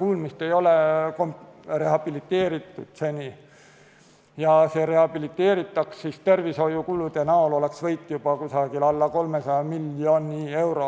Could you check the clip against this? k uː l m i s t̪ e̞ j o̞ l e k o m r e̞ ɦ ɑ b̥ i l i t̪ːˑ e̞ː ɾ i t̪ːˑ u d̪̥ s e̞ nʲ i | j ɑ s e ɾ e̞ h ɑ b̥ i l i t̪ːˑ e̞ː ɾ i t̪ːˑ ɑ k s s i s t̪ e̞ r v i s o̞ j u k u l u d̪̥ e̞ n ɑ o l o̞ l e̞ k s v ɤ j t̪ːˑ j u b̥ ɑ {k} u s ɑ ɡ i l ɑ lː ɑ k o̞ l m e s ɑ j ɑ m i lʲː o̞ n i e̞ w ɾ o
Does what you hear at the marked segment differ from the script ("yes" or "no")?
no